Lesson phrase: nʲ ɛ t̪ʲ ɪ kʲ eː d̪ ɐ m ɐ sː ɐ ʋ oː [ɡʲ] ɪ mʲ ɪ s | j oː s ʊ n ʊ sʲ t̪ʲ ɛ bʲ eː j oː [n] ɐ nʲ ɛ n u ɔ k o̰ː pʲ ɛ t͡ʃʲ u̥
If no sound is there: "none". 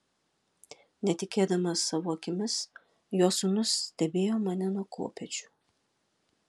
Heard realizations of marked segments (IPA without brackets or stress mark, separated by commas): kʲ, m